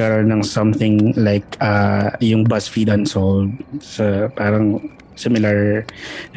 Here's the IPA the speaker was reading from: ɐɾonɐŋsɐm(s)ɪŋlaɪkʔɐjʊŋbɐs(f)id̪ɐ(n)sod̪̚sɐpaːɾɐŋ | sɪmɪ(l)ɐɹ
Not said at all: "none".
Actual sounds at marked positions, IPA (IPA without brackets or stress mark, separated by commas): θ, f, n, l